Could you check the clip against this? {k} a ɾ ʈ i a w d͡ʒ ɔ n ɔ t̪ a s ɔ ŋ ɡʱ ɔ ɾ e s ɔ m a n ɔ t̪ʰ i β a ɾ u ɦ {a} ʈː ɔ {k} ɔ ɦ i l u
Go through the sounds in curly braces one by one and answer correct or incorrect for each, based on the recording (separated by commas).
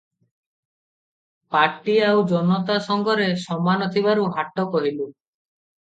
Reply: incorrect, correct, correct